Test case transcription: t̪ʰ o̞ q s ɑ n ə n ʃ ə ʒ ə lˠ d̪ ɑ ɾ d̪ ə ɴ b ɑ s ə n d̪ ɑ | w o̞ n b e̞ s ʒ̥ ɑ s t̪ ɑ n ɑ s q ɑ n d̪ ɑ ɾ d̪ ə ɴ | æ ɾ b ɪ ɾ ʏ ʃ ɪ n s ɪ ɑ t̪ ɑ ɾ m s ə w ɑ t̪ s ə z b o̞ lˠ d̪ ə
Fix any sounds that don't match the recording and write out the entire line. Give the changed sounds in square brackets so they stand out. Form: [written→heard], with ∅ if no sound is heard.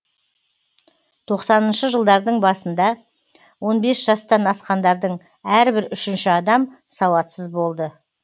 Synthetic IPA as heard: t̪ʰ o̞ q s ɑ n ə n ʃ ə ʒ ə lˠ d̪ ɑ ɾ d̪ ə ɴ b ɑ s ə n d̪ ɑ | w o̞ n b e̞ s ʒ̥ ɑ s t̪ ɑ n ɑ s q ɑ n d̪ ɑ ɾ d̪ ə ɴ | æ ɾ b ɪ ɾ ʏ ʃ ɪ n [s→ʃ] ɪ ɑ [t̪→d̪] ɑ [ɾ→∅] m s [ə→ɑ] w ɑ t̪ s ə z b o̞ lˠ d̪ ə